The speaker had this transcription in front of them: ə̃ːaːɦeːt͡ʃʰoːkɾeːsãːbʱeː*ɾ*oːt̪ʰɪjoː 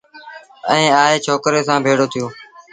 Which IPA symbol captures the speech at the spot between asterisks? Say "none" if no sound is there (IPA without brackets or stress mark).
ɽ